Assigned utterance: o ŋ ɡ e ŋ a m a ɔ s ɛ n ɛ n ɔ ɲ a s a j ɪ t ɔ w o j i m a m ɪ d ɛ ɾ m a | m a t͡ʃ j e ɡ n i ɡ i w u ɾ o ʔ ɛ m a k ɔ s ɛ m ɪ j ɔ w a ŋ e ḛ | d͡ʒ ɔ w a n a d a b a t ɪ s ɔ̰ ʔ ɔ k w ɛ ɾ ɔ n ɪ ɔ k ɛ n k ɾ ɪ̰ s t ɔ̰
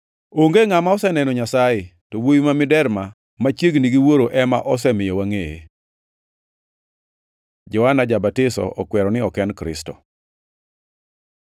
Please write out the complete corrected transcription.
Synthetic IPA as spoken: o ŋ ɡ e ŋ a m a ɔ s ɛ n ɛ n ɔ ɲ a s a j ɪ t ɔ w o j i m a m ɪ d ɛ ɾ m a | m a t͡ʃ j e ɡ n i ɡ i w o ɾ o ʔ ɛ m a ʔ ɔ s ɛ m ɪ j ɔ w a ŋ e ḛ | d͡ʒ ɔ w a n a d͡ʒ a b a t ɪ s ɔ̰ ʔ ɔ k w ɛ ɾ ɔ n ɪ ɔ k ɛ n k ɾ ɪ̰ s t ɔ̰